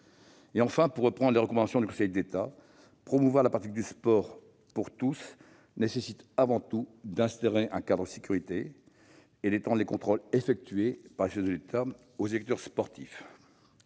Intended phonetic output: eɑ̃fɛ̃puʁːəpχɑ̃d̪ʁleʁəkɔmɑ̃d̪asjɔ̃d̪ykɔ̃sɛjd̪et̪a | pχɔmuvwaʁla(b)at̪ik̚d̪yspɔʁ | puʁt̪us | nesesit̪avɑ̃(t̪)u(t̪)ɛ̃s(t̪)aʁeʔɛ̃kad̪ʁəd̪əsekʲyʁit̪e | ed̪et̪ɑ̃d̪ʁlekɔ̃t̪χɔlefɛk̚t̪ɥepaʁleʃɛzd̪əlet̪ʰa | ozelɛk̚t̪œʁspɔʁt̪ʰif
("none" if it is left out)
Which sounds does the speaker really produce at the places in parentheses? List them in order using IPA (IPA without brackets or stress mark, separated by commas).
p, t̪, d̪, t̪